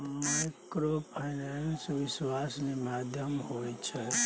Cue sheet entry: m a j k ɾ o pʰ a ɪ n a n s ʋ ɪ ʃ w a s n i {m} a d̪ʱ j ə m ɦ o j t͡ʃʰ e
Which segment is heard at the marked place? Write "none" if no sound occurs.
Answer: m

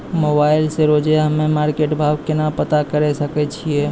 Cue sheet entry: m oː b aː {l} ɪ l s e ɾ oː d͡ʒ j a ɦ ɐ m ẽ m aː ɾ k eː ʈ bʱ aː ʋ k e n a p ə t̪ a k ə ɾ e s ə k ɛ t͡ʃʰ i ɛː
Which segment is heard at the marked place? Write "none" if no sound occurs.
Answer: none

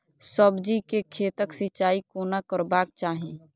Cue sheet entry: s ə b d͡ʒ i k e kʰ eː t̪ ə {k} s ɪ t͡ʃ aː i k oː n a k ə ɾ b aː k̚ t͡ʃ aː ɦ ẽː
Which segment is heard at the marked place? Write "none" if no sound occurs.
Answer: k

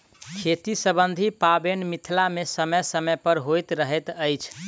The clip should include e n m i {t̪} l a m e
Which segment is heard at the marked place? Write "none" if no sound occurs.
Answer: t̪ʰ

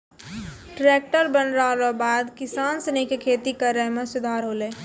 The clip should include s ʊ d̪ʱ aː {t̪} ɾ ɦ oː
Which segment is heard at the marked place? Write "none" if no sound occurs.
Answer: none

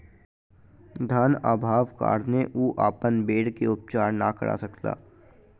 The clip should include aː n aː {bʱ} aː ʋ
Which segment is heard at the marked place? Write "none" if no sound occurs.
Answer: bʱ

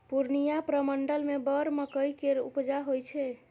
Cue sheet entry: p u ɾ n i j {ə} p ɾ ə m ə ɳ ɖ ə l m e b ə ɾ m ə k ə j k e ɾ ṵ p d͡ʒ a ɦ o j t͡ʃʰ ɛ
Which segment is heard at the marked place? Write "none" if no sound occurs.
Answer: a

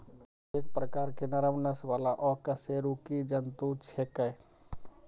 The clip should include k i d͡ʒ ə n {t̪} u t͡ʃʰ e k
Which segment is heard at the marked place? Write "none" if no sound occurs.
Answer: t̪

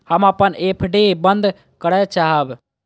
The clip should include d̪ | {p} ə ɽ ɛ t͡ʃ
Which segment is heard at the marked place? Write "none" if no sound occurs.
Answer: k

